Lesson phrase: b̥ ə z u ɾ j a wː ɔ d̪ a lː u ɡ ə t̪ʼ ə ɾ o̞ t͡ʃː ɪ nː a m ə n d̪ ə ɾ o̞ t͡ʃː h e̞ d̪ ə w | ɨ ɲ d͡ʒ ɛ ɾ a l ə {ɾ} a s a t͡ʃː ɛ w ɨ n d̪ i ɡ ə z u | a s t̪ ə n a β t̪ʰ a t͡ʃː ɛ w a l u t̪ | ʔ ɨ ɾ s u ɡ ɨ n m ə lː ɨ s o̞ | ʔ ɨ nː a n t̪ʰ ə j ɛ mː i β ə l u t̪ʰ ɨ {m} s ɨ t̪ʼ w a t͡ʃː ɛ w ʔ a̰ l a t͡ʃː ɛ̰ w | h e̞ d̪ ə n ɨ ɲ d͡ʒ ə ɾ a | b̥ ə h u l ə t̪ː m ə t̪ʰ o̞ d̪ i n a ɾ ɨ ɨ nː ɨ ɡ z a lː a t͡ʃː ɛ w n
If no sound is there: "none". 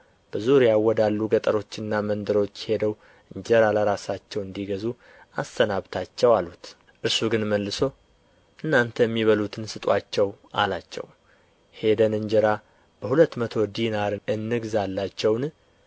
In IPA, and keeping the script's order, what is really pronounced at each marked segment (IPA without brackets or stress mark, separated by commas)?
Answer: ɾ, n